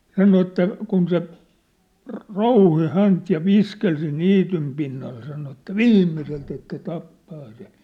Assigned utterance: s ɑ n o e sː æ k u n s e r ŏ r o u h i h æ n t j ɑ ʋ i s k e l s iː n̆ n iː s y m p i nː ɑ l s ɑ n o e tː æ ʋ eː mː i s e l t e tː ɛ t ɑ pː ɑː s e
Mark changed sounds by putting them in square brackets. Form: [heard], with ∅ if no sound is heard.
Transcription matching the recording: s ɑ n o e [tː] æ k u n s e r ŏ r o u h i h æ n t j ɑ ʋ i s k e l s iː n̆ n iː [t] y m p i nː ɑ l s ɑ n o e tː æ ʋ [iː] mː i s e l t e tː [æ] t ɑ pː ɑː s e